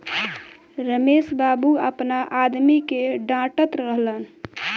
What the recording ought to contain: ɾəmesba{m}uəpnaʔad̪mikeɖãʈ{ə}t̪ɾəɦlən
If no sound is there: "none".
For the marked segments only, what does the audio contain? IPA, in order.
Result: b, ə

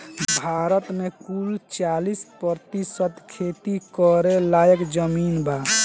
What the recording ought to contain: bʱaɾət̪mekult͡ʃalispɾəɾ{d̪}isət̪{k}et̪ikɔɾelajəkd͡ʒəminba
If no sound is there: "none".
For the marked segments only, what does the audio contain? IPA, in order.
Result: t̪, kʰ

